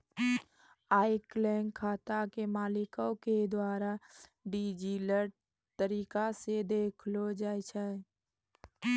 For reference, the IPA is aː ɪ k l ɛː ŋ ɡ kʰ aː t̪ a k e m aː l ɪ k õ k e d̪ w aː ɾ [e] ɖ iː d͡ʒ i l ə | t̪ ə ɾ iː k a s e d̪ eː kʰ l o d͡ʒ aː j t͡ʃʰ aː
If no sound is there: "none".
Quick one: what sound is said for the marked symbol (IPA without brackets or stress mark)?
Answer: a